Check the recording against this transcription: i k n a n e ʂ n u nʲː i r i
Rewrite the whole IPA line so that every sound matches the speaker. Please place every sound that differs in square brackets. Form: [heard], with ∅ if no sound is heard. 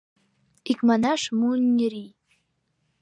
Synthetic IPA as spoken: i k [m] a n [a] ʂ [m] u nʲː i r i